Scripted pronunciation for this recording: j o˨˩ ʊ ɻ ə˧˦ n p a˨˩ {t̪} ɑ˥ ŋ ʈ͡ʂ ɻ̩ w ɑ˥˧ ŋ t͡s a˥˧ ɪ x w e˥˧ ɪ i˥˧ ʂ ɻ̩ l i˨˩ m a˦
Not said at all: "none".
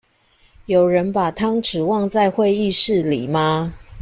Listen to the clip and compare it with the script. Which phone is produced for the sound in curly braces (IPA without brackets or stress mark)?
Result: t̪ʰ